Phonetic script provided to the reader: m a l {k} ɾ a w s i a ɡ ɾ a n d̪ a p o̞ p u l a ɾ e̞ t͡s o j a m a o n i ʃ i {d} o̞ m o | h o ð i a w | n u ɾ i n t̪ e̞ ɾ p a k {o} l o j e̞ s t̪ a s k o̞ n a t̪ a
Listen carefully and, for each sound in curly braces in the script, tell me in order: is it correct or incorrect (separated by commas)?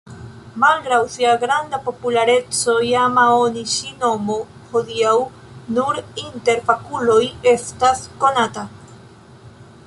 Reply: incorrect, incorrect, incorrect